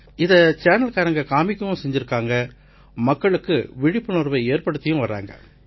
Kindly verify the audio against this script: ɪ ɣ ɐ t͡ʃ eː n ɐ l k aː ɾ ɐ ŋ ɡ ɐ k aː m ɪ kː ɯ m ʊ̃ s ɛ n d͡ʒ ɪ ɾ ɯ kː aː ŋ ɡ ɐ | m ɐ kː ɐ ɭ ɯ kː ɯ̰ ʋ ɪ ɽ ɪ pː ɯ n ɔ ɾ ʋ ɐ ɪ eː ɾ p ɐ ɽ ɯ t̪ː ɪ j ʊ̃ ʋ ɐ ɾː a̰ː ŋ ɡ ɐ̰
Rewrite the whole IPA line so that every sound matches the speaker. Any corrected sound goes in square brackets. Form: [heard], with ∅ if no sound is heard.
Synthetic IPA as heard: ɪ [ð] ɐ t͡ʃ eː n ɐ l k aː ɾ ɐ ŋ ɡ ɐ k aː m ɪ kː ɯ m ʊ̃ s ɛ [ɲ] d͡ʒ ɪ ɾ ɯ kː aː ŋ ɡ ɐ | m ɐ kː ɐ ɭ ɯ kː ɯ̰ ʋ ɪ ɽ ɪ pː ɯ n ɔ ɾ ʋ ɐ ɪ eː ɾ p ɐ ɽ ɯ t̪ː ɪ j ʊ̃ ʋ ɐ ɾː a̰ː ŋ ɡ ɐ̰